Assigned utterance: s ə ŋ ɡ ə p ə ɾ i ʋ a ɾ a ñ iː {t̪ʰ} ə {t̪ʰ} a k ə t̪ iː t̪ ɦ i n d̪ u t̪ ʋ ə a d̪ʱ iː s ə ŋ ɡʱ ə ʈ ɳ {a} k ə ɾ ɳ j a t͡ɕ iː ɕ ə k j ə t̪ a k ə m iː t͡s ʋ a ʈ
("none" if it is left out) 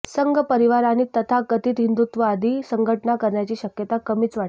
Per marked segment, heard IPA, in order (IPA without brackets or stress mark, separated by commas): t̪, t̪ʰ, a